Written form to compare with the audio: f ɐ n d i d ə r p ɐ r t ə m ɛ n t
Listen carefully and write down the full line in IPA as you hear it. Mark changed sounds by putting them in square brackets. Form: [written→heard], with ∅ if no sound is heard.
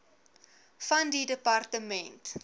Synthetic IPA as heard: f ɐ n d i d ə [r→∅] p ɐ r t ə m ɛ n t